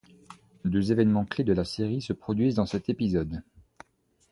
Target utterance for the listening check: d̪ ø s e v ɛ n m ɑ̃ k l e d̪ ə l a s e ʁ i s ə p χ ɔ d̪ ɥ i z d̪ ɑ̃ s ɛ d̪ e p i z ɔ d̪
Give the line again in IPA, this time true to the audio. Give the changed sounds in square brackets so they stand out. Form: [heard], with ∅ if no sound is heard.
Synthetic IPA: d̪ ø [z] e v ɛ n m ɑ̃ k l e d̪ ə l a s e ʁ i s ə p χ ɔ d̪ ɥ i z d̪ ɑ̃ s ɛ [t̪] e p i z ɔ d̪